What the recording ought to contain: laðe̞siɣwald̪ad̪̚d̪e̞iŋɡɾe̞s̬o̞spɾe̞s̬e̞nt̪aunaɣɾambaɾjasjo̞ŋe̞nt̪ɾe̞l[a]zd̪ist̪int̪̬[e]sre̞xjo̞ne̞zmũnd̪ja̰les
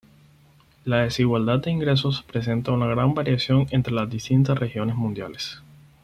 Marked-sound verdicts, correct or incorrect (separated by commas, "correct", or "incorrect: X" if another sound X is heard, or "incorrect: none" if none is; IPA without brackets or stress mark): correct, incorrect: a